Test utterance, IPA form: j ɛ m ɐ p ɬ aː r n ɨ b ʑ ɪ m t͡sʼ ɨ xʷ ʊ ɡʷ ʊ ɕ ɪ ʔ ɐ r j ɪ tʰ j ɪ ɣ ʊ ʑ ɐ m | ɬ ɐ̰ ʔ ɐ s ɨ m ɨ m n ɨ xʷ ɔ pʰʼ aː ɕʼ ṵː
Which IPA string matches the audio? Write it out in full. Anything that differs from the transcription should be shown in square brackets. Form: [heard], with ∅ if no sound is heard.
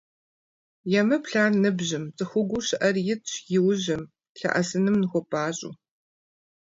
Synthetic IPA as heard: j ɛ m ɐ p ɬ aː r n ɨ b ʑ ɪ m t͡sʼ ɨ xʷ ʊ ɡʷ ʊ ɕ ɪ ʔ ɐ r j ɪ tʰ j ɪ [w] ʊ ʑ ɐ m | ɬ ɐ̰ ʔ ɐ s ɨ [n] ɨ m n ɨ xʷ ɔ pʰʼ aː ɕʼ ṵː